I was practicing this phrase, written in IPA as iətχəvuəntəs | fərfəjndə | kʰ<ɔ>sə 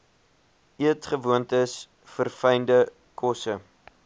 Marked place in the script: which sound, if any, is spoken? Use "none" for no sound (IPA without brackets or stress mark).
ɔ